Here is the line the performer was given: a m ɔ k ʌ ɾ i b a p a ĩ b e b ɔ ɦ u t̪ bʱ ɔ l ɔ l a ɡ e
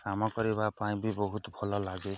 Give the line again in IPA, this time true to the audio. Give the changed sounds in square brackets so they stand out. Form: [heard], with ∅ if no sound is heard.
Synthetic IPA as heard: a m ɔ k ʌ ɾ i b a p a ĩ b [i] b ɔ ɦ u t̪ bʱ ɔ l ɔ l a ɡ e